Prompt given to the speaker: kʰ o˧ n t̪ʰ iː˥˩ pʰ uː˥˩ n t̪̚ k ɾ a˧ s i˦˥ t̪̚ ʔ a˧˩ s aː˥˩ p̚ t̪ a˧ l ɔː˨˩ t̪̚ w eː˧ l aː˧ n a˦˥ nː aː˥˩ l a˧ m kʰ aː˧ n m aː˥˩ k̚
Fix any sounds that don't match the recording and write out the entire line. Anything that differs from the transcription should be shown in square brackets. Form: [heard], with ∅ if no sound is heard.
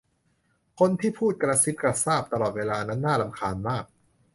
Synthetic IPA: kʰ o˧ n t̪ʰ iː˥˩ pʰ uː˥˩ [∅] t̪̚ k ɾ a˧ s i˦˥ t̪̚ [k] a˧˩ s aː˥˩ p̚ t̪ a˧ l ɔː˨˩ t̪̚ w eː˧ l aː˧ n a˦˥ nː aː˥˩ l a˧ m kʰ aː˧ n m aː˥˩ k̚